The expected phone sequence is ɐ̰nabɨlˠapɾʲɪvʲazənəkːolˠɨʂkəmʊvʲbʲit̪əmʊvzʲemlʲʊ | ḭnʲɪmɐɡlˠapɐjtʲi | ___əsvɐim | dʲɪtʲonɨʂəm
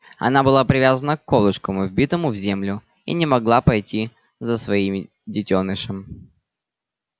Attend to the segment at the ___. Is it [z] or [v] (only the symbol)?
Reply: z